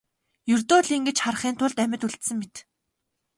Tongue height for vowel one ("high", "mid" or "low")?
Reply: mid